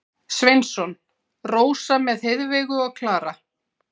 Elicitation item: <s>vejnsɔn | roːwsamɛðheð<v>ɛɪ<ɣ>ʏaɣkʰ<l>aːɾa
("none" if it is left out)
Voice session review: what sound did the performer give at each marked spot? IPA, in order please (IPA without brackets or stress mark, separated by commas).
s, v, ɣ, l